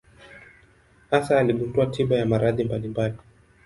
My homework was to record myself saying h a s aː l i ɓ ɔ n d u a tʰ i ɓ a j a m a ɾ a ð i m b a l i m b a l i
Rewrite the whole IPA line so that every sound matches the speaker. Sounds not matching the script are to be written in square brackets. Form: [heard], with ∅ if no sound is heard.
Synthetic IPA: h a s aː l i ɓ [u] n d u a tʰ i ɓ a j a m a ɾ a ð i m b a l i m b a l i